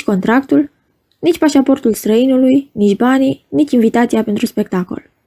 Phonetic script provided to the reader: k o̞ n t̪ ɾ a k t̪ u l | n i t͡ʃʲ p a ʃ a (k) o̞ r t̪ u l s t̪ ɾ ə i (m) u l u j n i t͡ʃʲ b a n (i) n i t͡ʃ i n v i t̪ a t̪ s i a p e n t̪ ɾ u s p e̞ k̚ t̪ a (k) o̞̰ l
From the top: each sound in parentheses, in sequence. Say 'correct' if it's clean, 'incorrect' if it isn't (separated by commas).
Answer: incorrect, incorrect, correct, correct